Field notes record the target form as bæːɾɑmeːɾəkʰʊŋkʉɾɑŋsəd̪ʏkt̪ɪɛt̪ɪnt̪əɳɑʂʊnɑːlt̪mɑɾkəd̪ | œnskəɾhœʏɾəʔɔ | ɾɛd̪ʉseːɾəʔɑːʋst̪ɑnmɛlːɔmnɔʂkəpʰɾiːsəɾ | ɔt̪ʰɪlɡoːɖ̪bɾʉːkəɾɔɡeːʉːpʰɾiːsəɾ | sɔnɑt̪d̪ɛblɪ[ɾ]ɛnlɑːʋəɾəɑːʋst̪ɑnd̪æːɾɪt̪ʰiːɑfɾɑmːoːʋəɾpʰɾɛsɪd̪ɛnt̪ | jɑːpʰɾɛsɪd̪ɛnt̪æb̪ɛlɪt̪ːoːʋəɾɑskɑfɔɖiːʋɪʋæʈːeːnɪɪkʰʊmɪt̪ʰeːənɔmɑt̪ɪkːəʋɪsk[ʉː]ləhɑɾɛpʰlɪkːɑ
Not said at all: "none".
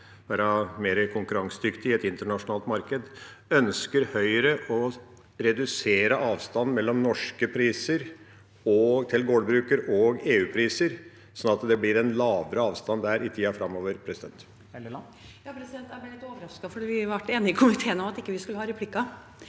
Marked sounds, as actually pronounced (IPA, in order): ɾ, ʉ

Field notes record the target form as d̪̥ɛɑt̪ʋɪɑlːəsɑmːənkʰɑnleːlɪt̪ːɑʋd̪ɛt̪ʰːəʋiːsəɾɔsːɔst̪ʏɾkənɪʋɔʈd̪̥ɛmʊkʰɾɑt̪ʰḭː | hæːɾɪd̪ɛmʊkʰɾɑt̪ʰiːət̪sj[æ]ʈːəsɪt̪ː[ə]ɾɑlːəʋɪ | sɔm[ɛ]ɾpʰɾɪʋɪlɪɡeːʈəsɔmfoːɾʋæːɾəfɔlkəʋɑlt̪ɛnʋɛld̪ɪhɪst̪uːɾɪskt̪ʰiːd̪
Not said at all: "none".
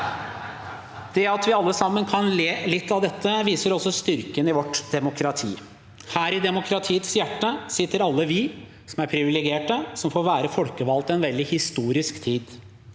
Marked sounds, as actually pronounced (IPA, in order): æ, ə, æ

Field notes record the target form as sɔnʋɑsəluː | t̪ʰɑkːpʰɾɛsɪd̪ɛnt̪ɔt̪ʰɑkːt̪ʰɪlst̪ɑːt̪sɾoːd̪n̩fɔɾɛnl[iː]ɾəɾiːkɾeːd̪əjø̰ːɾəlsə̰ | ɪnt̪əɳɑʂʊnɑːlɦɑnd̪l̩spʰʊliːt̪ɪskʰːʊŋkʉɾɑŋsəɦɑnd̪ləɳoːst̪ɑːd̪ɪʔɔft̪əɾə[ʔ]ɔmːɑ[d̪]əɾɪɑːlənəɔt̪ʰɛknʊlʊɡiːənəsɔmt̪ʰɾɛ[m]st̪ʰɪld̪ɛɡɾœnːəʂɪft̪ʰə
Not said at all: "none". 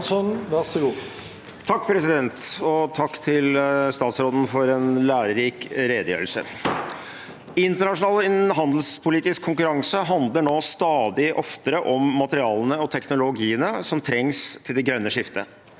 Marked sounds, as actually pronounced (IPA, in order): æː, ʔ, t̪, ŋ

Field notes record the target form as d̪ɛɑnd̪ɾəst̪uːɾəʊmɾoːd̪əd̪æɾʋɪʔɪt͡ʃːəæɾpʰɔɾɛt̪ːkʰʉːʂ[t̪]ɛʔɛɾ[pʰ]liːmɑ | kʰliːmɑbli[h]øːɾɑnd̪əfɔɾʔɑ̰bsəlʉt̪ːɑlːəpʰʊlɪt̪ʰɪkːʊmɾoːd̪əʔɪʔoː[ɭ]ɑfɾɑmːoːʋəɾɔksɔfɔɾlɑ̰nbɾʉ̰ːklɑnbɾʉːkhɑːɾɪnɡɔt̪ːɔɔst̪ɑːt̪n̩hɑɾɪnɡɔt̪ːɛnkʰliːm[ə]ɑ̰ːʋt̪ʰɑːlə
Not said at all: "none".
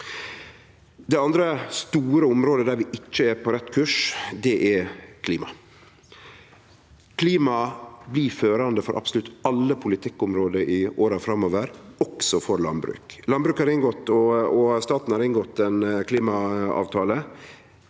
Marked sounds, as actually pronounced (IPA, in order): d̪, kʰ, f, ɾ, ɑ

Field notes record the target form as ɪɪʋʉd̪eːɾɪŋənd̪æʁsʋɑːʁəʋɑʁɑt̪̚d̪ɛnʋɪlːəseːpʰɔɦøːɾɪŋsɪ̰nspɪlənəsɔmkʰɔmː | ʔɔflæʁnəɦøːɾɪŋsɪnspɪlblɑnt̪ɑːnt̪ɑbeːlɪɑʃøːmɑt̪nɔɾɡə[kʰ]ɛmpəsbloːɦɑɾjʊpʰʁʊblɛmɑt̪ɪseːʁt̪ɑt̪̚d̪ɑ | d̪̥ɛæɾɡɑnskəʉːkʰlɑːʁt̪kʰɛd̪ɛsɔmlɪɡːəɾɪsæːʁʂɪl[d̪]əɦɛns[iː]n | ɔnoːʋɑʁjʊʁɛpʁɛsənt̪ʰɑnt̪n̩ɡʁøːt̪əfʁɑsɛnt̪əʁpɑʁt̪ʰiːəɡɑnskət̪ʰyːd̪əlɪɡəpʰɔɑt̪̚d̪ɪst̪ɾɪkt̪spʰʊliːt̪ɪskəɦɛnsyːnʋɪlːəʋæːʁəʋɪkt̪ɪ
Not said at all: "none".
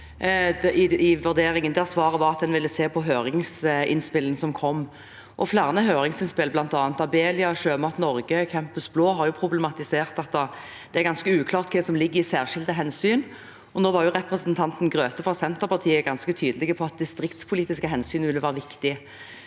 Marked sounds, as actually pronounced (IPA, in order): kʰ, d̪, yː

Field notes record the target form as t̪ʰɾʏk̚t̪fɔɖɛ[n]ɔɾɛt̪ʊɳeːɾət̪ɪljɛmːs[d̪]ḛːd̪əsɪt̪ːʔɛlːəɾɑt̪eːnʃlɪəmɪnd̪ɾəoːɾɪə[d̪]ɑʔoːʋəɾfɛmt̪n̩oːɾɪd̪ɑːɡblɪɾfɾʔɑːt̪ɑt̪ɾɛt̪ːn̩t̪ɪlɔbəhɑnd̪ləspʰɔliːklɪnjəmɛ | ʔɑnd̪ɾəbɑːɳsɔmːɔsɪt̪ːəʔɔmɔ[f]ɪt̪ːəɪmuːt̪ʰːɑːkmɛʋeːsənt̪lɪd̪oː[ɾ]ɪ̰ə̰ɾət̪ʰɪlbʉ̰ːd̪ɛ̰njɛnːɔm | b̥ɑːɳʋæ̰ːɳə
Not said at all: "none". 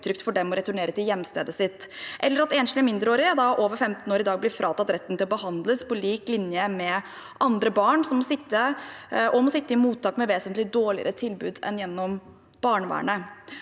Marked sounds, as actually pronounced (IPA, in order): m, t̪, d̪, s, ɭ

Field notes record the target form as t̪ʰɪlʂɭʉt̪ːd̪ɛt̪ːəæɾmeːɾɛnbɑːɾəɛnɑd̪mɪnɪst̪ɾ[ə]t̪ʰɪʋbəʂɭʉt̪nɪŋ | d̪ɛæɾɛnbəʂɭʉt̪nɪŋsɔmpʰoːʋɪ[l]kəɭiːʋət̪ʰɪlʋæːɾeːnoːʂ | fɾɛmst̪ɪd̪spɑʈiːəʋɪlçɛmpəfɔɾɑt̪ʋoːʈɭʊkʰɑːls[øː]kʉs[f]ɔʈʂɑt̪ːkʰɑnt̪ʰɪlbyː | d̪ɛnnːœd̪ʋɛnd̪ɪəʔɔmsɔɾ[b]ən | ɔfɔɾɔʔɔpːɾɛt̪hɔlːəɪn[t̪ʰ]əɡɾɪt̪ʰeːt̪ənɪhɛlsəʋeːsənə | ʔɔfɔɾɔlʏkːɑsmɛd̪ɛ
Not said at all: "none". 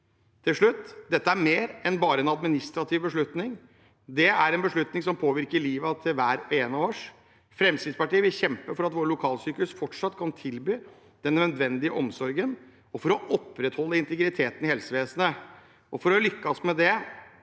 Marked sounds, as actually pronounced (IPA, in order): ɑ, ɾ, yː, f, ɡ, t̪

